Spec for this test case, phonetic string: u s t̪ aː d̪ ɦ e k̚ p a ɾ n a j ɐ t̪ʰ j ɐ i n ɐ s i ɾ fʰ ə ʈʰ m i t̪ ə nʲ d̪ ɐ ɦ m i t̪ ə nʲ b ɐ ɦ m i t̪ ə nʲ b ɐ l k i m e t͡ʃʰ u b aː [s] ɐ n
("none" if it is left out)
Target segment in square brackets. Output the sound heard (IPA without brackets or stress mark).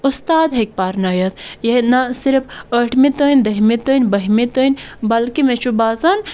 z